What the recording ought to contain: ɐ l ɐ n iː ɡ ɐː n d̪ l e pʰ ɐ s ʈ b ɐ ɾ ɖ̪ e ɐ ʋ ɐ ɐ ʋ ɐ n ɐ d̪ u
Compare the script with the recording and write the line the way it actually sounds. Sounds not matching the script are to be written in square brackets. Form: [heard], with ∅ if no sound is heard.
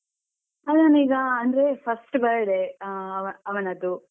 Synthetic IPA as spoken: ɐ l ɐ n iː ɡ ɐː n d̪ [ɾ] e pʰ ɐ s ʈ b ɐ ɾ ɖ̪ e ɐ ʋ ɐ ɐ ʋ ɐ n ɐ d̪ u